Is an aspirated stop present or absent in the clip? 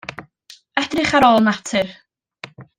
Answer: present